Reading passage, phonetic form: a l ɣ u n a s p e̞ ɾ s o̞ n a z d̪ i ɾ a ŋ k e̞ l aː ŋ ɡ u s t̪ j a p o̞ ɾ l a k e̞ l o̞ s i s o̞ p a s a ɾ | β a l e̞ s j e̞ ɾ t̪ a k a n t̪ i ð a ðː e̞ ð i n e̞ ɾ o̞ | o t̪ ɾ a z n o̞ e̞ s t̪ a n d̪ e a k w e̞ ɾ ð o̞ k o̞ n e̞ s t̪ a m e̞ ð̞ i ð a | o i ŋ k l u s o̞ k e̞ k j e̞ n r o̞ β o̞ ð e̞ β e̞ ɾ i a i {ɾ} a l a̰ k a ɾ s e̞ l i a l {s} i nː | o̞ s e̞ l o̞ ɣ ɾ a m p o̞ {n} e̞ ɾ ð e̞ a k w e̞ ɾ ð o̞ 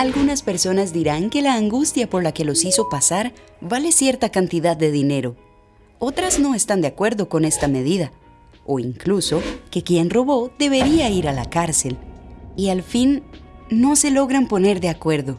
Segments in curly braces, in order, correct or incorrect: correct, incorrect: f, correct

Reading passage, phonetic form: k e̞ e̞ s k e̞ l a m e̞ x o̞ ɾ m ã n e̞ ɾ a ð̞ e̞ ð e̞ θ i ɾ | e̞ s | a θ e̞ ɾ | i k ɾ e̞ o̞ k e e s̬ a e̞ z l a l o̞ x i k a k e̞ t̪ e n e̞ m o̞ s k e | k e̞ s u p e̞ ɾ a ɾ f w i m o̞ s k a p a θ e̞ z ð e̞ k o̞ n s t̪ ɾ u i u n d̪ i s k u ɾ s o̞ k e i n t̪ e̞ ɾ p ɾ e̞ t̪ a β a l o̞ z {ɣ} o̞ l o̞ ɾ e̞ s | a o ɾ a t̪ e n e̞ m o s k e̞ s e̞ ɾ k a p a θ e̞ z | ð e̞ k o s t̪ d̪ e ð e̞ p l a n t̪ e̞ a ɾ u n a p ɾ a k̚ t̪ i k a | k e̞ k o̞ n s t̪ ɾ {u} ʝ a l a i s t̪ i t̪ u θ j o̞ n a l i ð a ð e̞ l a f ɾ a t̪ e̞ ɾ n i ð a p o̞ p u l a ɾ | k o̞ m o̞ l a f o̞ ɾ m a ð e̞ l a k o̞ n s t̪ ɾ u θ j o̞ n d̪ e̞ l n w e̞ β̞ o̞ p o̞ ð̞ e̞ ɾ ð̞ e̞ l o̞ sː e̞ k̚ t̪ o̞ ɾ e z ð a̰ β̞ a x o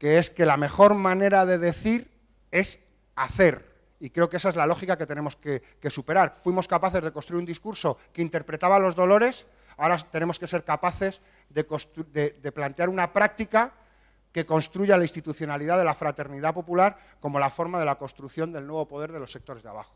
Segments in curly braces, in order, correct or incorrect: incorrect: ð, correct

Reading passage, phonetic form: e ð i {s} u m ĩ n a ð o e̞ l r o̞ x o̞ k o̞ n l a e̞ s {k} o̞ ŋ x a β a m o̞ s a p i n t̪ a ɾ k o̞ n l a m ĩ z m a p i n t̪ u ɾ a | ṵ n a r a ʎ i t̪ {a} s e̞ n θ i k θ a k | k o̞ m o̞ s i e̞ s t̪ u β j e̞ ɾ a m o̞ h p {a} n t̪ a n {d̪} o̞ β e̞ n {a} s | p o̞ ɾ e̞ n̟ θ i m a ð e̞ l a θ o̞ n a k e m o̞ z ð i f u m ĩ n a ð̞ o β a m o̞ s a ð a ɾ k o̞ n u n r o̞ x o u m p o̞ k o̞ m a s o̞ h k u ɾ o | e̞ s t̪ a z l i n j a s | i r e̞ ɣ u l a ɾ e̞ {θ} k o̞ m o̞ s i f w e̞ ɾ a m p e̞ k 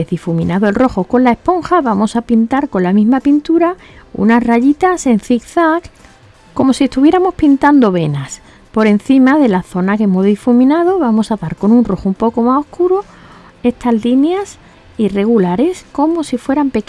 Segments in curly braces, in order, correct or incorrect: incorrect: f, incorrect: p, correct, incorrect: i, correct, correct, incorrect: s

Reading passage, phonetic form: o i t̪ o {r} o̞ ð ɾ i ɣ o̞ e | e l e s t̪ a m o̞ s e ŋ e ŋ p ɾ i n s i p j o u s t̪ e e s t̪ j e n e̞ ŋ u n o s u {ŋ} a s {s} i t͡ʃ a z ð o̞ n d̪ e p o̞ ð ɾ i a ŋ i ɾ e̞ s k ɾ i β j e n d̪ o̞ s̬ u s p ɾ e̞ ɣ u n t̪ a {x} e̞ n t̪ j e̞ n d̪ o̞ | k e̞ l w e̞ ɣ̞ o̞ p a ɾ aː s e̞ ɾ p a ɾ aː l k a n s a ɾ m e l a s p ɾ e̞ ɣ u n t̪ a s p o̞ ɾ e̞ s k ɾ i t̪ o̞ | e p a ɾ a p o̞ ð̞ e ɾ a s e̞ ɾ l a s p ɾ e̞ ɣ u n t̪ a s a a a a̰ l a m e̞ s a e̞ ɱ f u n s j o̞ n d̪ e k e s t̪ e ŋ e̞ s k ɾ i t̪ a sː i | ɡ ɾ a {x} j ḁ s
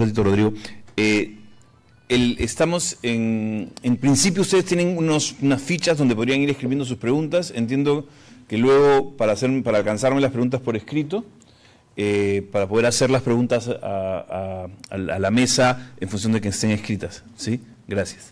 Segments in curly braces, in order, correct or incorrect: correct, incorrect: n, incorrect: f, incorrect: s, incorrect: s

